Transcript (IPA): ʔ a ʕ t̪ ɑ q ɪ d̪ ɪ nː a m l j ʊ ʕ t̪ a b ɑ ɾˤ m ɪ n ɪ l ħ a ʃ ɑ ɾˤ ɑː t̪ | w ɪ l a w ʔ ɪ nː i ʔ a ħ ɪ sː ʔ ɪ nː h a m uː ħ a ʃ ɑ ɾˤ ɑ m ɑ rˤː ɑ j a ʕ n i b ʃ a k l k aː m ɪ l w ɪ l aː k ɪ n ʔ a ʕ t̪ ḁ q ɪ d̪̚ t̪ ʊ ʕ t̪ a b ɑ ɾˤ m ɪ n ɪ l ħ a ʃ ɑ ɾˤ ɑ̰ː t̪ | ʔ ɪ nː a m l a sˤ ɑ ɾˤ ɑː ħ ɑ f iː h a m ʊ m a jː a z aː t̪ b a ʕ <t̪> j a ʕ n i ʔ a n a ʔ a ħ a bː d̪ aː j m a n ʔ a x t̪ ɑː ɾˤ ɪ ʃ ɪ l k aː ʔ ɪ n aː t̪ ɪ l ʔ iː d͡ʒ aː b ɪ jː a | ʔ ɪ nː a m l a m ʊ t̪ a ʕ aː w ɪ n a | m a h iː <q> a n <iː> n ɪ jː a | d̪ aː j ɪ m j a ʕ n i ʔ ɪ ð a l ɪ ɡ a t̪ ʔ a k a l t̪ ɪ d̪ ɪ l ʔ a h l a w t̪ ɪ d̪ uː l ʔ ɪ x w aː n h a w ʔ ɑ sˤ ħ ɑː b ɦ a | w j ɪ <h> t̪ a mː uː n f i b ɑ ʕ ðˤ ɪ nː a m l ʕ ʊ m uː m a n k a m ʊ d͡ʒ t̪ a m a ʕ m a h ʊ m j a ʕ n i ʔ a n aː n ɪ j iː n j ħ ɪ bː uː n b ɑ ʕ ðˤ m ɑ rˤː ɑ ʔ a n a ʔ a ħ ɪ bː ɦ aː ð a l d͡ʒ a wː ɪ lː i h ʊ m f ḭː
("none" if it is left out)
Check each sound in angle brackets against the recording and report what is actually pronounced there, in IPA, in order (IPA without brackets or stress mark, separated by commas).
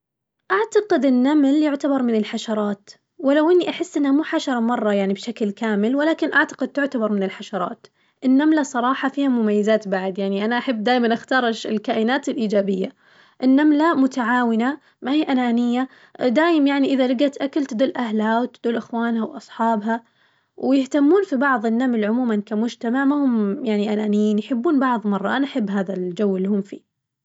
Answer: d̪, ʔ, aː, h